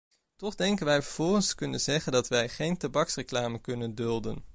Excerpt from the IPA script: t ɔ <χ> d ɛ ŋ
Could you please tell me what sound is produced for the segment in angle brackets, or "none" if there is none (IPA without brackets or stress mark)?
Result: χ